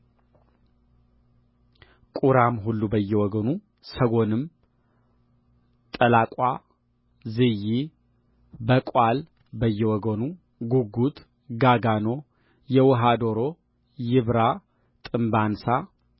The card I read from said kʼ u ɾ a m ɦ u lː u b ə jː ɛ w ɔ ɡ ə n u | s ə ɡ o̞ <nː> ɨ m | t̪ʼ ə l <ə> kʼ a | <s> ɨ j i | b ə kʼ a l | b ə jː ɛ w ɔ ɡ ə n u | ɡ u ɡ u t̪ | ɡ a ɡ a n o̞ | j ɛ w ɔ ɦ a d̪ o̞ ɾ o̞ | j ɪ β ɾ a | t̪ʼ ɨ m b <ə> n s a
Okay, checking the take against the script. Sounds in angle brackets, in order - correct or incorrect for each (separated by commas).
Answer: incorrect, incorrect, incorrect, incorrect